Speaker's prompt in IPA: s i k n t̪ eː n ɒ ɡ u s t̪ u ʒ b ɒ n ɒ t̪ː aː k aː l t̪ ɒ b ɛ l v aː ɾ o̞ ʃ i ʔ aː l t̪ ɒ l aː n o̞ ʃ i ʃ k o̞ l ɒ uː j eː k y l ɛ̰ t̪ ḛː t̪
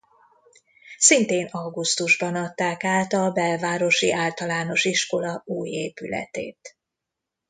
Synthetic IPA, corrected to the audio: s i n t̪ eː n ɒ ɡ u s t̪ u ʒ b ɒ n ɒ t̪ː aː k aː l t̪ ɒ b ɛ l v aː ɾ o̞ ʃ i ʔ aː l t̪ ɒ l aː n o̞ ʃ i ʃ k o̞ l ɒ uː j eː p y l ɛ̰ t̪ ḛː t̪